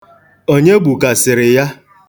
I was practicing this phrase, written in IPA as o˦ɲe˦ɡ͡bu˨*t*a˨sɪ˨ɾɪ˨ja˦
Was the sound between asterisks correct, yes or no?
no